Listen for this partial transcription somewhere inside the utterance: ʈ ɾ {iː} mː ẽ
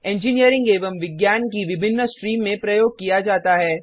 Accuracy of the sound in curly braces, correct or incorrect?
correct